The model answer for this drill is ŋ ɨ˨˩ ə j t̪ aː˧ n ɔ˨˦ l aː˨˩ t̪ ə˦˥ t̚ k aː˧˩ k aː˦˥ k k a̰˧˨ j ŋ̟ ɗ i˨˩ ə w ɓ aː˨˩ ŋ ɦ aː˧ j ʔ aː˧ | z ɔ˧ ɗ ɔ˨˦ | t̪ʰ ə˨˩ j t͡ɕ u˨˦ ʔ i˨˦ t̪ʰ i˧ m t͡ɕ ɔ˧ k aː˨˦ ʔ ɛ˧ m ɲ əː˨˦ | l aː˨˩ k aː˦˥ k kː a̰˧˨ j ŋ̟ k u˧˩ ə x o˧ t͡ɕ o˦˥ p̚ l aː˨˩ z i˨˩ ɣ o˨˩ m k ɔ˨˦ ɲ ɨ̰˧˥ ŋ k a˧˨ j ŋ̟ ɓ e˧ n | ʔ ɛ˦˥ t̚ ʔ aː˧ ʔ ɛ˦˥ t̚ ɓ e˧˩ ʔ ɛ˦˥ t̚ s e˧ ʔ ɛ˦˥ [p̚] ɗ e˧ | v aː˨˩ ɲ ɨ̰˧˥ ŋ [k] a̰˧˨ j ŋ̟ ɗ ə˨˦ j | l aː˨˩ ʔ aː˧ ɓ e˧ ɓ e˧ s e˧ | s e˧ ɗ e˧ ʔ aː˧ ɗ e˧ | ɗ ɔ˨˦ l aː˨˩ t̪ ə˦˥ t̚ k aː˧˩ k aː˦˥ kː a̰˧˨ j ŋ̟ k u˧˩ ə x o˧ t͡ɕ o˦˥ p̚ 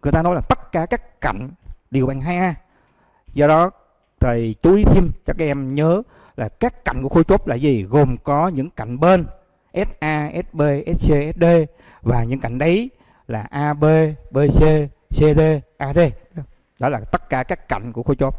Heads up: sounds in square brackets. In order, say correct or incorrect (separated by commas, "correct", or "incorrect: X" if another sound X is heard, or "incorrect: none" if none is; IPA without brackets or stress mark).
incorrect: t̚, correct